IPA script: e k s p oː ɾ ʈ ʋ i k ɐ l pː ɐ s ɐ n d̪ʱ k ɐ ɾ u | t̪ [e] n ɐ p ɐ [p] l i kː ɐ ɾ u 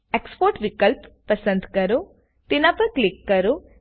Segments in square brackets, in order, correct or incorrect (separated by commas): incorrect, incorrect